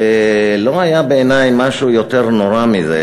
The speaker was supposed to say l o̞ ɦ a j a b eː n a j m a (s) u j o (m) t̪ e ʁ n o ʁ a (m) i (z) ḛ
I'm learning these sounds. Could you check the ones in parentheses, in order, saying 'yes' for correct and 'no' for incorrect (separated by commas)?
no, no, yes, yes